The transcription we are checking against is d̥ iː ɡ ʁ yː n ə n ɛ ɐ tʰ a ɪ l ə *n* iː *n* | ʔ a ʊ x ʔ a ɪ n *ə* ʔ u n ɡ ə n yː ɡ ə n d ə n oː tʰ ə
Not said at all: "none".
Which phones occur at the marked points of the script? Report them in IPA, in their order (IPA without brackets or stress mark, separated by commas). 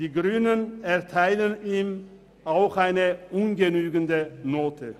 n, m, ə